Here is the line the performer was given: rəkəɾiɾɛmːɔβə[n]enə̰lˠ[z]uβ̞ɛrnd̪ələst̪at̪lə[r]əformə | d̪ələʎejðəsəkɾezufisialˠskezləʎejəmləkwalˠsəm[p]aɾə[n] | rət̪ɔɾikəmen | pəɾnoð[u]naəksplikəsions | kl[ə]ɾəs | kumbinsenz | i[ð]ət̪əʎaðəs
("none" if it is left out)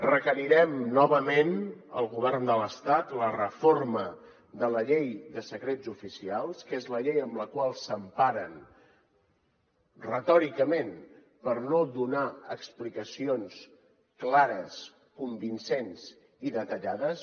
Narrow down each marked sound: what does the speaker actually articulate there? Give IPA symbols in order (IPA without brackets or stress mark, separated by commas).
m, ɣ, r, p, n, u, a, ð